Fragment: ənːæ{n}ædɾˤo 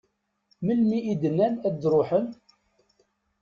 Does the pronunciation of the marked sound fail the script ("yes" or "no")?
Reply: no